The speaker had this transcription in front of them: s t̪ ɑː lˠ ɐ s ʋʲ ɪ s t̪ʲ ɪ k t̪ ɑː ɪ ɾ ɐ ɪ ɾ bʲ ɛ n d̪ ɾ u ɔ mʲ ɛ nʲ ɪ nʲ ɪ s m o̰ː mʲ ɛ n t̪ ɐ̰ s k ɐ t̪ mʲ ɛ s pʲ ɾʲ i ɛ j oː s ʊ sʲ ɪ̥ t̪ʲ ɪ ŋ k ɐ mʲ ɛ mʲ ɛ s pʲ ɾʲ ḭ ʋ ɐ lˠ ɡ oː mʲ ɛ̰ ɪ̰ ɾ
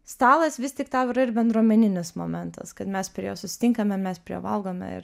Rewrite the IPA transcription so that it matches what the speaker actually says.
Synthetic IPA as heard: s t̪ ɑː lˠ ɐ s ʋʲ ɪ s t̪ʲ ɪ k t̪ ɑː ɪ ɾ ɐ ɪ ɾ bʲ ɛ n d̪ ɾ u ɔ mʲ ɛ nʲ ɪ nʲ ɪ s m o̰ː mʲ ɛ n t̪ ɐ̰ s k ɐ t̪ mʲ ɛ s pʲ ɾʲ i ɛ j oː s ʊ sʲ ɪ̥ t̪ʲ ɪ ŋ k ɐ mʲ ɛ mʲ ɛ s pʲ ɾʲ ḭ ʋ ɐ lˠ ɡ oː mʲ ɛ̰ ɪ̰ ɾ